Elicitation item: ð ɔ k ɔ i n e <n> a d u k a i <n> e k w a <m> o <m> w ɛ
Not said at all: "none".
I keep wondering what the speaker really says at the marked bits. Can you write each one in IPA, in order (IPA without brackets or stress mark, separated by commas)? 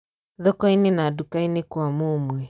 n, n, m, m